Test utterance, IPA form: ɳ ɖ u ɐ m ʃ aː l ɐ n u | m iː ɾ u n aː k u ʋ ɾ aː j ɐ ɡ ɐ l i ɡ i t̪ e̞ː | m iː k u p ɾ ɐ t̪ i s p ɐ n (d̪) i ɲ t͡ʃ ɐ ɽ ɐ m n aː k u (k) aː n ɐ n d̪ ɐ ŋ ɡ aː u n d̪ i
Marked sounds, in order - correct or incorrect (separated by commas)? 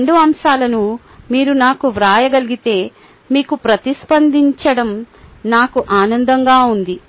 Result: correct, incorrect